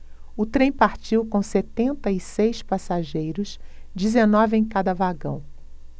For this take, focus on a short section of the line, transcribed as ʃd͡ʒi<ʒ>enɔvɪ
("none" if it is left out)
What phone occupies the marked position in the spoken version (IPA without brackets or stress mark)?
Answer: z